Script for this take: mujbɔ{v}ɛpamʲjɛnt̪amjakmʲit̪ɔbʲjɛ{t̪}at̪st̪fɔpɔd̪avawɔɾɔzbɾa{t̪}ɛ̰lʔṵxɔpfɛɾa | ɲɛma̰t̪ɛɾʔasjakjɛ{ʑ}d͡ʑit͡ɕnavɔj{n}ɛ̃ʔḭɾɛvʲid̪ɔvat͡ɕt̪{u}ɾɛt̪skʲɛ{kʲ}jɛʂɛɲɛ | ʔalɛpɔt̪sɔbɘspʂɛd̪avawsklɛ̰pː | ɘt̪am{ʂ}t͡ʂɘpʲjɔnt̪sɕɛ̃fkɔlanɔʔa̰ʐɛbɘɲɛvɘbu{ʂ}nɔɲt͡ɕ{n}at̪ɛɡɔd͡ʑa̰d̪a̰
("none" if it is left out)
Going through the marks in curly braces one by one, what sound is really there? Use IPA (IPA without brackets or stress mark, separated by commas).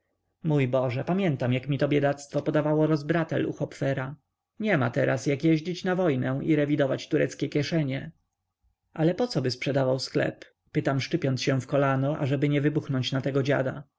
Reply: ʐ, d̪, t̪, ʑ, n, u, kʲ, ʂ, x, n